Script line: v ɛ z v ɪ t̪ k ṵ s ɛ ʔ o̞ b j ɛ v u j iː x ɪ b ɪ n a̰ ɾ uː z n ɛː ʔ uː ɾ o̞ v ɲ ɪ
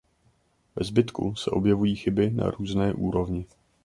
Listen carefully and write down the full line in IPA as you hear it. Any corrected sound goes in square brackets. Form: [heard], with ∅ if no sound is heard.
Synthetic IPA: v ɛ z [b] ɪ t̪ k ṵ s ɛ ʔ o̞ b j ɛ v u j iː x ɪ b ɪ n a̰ ɾ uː z n ɛː ʔ uː ɾ o̞ v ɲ ɪ